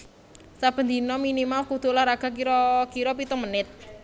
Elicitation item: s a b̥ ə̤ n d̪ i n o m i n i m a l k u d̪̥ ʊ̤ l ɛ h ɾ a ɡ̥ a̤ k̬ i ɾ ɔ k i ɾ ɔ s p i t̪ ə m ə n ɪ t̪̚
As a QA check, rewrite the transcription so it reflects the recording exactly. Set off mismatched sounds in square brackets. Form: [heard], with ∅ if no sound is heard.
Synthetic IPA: s a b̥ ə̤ n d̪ i n [ɔ] m i n i m a l k u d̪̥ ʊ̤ l [a] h ɾ a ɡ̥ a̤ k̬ i ɾ ɔ k i ɾ ɔ [∅] p i t̪ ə m ə n ɪ t̪̚